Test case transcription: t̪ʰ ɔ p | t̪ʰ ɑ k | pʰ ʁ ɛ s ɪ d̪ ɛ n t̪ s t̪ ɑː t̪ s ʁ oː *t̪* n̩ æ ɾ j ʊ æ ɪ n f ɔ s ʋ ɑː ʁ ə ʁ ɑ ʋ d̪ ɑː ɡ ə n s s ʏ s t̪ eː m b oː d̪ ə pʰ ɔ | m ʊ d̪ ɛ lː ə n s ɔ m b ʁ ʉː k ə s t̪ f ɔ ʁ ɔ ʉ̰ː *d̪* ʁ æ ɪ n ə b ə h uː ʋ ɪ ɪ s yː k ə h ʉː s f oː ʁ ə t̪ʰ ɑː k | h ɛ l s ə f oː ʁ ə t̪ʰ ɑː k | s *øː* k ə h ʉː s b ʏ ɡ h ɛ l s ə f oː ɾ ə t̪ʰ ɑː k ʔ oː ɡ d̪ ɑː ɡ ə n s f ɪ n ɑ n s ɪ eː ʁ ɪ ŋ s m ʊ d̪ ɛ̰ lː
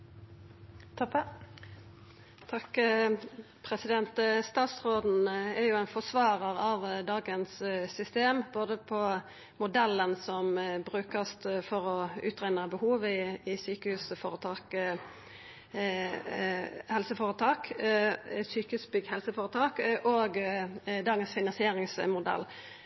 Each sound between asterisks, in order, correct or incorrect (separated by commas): incorrect, incorrect, incorrect